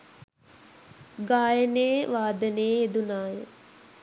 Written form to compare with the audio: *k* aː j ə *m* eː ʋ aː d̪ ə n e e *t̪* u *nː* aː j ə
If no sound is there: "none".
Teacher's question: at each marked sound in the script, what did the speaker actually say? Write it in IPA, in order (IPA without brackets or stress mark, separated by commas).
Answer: ɡ, n, d̪, n